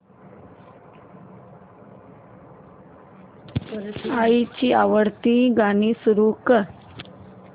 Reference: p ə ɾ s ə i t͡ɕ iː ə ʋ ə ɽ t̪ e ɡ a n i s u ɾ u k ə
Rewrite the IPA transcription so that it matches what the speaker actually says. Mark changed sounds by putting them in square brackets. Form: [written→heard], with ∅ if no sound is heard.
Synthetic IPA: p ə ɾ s [ə→a] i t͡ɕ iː [ə→a] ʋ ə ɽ t̪ [e→i] ɡ a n i s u ɾ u k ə

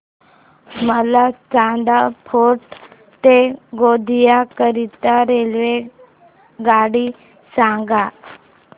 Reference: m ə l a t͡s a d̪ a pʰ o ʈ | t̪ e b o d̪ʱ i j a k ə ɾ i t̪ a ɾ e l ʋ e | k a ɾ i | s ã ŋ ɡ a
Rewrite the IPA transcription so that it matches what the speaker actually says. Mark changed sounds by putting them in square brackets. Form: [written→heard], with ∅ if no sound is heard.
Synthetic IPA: m ə l a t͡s a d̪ a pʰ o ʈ | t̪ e [b→ɡ] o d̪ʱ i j a k ə ɾ i t̪ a ɾ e l ʋ e | [k→ɡ] a [ɾ→ɽ] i | s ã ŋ ɡ a

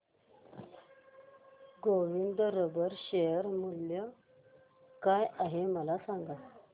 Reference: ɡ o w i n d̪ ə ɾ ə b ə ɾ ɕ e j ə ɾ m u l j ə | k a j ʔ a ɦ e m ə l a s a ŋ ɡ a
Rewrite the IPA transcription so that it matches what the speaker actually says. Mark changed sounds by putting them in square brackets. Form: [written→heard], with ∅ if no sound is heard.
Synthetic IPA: ɡ o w i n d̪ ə ɾ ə b ə ɾ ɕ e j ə ɾ m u l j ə | k a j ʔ a ɦ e m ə l a s a ŋ ɡ a

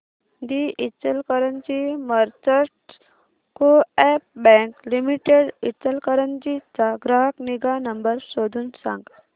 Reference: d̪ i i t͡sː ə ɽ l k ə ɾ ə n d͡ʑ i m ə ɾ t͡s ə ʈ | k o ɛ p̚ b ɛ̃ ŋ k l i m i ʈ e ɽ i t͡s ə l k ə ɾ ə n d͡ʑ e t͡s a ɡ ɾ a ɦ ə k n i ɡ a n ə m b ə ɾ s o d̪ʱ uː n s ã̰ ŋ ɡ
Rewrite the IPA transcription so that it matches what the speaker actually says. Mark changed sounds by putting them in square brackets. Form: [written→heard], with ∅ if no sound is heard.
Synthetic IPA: d̪ i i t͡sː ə [ɽ→∅] l k ə ɾ ə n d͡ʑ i m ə ɾ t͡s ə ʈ | k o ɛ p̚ b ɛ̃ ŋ k l i m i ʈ e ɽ i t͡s ə l k ə ɾ ə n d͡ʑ [e→i] t͡s a ɡ ɾ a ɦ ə k n i ɡ a n ə m b ə ɾ s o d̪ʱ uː n s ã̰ ŋ ɡ

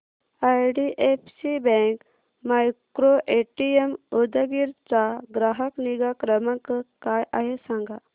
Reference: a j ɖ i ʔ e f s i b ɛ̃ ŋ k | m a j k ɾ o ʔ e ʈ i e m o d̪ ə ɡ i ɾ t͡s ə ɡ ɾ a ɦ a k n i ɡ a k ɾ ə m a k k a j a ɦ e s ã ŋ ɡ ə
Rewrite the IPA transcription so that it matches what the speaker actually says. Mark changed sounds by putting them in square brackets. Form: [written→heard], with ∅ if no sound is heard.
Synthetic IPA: a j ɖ i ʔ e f s i b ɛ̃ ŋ k | m a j k ɾ o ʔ e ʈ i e m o d̪ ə ɡ i ɾ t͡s [ə→a] ɡ ɾ a ɦ [a→ə] k n i ɡ a k ɾ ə m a k k a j a ɦ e s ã ŋ ɡ [ə→a]

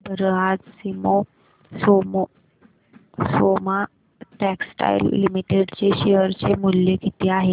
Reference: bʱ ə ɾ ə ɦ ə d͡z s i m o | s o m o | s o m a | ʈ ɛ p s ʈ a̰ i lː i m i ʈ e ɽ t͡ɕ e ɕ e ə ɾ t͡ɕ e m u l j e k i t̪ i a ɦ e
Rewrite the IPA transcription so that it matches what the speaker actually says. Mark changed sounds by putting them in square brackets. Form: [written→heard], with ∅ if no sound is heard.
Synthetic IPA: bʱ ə ɾ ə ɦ [ə→a] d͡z s i m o | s o m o | s o m a | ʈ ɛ [p→k] s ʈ a̰ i lː i m i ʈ e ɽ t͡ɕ e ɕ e ə ɾ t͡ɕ e m u l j e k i t̪ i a ɦ e

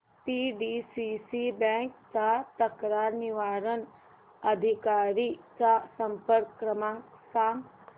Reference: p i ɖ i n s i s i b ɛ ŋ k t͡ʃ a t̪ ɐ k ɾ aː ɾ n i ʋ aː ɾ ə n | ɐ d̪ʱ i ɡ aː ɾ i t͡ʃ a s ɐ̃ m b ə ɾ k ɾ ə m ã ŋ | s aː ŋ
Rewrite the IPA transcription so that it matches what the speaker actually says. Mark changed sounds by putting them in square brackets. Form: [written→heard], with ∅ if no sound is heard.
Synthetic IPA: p i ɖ i [n→∅] s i s i b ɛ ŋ k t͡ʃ a t̪ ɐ k ɾ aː ɾ n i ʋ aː ɾ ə n | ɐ d̪ʱ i [ɡ→k] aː ɾ i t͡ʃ a s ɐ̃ m [b→p] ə ɾ k ɾ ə m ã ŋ | s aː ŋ

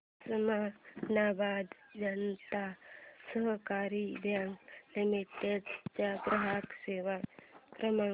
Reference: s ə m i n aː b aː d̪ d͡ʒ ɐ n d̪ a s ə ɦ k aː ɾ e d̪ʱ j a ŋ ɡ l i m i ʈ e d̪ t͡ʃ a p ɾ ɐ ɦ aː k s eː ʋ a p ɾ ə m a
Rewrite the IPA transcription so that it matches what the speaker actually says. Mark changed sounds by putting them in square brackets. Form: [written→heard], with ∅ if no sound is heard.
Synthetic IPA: s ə m [i→a] n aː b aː d̪ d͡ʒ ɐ n [d̪→t̪] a s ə ɦ k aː ɾ [e→i] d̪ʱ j a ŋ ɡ l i m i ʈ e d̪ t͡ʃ a p ɾ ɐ ɦ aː k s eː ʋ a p ɾ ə m a

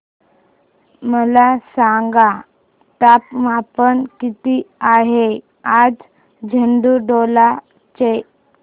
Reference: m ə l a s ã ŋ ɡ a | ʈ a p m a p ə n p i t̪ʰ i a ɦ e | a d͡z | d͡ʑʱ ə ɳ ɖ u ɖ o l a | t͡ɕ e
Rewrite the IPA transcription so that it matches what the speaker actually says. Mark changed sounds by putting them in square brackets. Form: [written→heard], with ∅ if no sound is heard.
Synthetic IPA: m ə l a s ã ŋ ɡ a | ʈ a p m a p ə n [p→k] i [t̪ʰ→t̪] i a ɦ e | a d͡z | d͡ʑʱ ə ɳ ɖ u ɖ o l a | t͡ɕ e

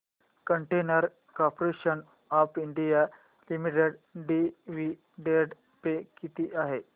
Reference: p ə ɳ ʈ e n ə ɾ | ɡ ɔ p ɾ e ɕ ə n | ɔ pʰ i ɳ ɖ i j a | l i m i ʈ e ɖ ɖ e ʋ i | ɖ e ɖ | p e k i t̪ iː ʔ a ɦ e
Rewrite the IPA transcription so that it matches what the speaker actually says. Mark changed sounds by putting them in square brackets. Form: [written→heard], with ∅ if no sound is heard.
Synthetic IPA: [p→k] ə ɳ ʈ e n ə ɾ | [ɡ→k] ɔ p ɾ e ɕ ə n | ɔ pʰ i ɳ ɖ i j a | l i m i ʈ e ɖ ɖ [e→i] ʋ i | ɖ e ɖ | p e k i t̪ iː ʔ a ɦ e

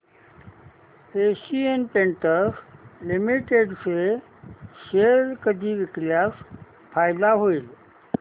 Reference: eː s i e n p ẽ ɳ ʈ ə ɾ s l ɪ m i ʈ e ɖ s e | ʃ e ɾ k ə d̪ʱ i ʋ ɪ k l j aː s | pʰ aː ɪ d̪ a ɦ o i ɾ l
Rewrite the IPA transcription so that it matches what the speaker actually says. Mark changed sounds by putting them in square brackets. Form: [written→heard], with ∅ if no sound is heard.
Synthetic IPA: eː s i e n p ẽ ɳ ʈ ə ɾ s l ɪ m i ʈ e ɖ s e | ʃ e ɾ k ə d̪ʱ i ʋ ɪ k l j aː s | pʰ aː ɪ d̪ a ɦ o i [ɾ→∅] l

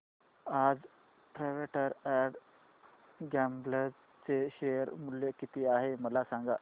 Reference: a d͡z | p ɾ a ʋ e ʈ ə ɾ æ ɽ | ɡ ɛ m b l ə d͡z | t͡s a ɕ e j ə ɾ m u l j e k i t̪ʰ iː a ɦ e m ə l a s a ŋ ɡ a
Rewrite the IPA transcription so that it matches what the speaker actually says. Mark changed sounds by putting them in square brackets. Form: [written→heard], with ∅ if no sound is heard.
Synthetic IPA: a d͡z | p ɾ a ʋ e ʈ ə ɾ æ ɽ | ɡ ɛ m b l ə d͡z | t͡s [a→e] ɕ e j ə ɾ m u l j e k i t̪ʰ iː a ɦ e m ə l a s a ŋ ɡ a

